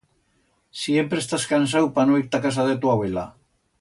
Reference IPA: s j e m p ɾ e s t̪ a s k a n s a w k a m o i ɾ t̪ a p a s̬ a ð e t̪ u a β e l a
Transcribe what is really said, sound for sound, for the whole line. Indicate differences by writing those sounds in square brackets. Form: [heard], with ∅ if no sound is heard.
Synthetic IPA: s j e m p ɾ e s t̪ a s k a n s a w [p] a [n] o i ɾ t̪ a [k] a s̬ a ð e t̪ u a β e l a